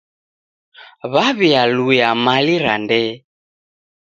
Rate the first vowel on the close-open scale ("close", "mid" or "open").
open